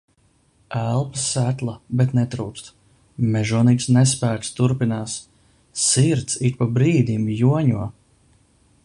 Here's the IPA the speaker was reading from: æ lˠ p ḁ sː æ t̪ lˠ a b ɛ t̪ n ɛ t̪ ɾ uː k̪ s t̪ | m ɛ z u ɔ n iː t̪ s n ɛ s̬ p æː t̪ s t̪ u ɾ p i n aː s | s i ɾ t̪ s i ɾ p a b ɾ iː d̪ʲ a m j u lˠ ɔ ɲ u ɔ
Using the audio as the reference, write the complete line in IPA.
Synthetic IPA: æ lˠ p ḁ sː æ t̪ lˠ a b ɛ t̪ n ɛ t̪ ɾ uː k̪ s t̪ | m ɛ ʒ u ɔ n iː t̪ s n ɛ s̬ p æː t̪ s t̪ u ɾ p i n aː s | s i ɾ t̪ s i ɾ p a b ɾ iː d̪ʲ i m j u ɔ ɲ u ɔ